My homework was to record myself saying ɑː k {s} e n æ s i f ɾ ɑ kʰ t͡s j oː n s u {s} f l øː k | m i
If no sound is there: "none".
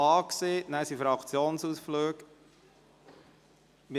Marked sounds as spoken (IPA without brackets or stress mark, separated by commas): s, s